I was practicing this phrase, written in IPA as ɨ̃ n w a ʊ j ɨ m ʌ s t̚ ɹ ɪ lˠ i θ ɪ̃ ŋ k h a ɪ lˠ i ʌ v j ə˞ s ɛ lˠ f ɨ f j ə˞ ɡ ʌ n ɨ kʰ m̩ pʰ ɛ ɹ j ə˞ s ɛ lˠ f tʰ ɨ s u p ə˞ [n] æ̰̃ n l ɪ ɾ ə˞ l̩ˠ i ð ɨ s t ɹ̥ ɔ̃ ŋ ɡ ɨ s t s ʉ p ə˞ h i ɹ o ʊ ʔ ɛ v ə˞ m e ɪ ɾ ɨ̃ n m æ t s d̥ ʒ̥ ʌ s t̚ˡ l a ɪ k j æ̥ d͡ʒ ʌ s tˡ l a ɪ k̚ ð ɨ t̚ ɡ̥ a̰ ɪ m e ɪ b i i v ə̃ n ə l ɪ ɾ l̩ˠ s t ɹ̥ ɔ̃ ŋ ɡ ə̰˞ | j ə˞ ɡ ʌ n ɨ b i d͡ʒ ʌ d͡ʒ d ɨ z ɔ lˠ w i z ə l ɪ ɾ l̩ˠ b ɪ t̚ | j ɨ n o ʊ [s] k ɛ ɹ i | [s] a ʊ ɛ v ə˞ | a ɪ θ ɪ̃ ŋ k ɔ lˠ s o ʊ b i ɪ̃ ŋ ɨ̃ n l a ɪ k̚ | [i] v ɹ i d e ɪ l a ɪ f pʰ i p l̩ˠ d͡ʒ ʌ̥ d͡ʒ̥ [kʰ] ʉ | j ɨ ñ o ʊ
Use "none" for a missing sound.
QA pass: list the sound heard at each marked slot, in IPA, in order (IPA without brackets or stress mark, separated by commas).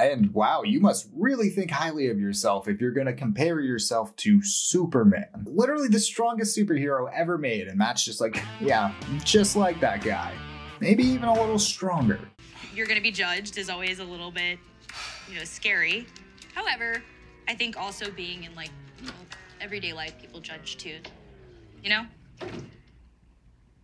m, s, h, ɛ, tʰ